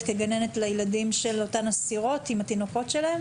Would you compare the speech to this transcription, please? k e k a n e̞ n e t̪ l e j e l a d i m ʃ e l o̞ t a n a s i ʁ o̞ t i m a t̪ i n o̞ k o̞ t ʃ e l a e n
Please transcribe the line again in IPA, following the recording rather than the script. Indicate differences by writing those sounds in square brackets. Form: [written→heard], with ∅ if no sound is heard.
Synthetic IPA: k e [k→ɡ] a n e̞ n e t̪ l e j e l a d i m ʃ e l o̞ t a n a s i ʁ o̞ t i m a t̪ i n o̞ k o̞ t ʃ e l a e [n→m]